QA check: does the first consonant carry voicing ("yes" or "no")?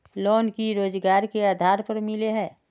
yes